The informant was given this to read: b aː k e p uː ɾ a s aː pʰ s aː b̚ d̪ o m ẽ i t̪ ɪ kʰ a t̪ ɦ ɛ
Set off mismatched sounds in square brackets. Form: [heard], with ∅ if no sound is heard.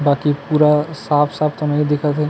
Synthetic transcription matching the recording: b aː k [i] p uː ɾ a s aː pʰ s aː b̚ [t̪] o m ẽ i [d̪] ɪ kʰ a t̪ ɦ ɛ